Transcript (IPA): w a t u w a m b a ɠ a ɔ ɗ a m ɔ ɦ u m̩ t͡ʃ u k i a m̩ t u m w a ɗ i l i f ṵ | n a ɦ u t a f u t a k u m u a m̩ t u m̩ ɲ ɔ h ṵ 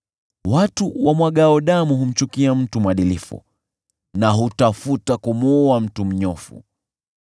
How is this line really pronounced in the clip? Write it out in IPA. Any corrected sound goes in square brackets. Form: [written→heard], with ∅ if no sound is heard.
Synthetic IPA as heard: w a t u w a m [b→w] a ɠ a ɔ ɗ a m [ɔ→u] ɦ u m̩ t͡ʃ u k i a m̩ t u m w a ɗ i l i f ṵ | n a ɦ u t a f u t a k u m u a m̩ t u m̩ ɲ ɔ [h→f] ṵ